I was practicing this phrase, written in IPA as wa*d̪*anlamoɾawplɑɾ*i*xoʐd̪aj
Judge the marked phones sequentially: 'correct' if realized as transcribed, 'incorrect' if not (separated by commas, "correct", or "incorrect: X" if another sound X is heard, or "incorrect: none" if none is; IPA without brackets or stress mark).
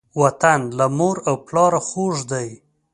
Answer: incorrect: t̪, incorrect: a